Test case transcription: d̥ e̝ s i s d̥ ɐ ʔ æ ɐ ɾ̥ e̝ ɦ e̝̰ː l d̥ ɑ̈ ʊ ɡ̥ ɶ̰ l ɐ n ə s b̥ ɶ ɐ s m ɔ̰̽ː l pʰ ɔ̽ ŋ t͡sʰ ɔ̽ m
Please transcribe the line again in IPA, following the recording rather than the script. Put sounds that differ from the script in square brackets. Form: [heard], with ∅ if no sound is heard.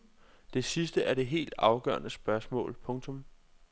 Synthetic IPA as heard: d̥ e̝ s i s d̥ [ə] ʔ æ ɐ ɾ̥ e̝ ɦ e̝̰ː l d̥ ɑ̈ ʊ ɡ̥ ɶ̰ [∅] ɐ n ə s b̥ ɶ ɐ s m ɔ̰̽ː l pʰ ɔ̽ ŋ t͡sʰ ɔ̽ m